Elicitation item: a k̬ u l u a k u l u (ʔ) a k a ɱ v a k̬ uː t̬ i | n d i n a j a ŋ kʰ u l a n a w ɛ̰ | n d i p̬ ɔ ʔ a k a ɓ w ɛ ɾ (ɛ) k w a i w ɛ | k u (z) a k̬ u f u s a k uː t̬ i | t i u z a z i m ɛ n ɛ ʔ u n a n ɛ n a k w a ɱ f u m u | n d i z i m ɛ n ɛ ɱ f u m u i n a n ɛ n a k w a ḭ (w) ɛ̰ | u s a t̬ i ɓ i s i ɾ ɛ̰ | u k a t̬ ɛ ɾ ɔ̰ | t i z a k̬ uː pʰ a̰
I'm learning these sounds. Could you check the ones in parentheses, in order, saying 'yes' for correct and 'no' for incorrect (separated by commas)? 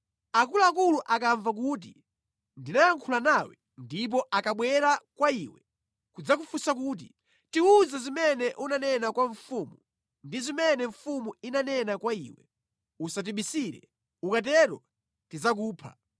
yes, no, no, yes